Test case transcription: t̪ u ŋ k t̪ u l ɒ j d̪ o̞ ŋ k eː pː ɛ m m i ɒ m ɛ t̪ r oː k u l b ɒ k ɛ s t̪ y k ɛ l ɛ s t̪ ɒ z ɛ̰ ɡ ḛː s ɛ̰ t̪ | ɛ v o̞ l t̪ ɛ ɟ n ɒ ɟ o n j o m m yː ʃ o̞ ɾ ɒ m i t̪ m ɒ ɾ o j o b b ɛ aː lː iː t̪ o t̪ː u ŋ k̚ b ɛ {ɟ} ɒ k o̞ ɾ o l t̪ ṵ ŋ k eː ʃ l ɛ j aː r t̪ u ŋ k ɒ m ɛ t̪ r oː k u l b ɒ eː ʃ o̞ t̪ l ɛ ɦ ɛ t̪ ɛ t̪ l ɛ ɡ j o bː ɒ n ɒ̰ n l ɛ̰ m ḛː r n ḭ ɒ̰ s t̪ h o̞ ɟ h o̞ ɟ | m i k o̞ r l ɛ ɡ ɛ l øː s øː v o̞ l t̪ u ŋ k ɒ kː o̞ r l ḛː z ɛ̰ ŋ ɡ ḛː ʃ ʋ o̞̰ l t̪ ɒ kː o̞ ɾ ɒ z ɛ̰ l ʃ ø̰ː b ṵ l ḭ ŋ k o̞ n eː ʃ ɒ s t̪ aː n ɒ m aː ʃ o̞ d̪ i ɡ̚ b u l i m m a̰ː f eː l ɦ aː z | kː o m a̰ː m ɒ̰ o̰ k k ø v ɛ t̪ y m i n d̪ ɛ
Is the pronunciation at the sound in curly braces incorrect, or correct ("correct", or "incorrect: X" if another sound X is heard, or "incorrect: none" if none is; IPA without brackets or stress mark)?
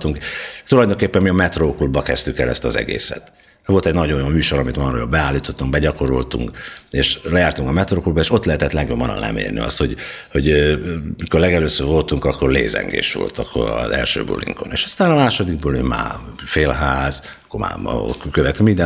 correct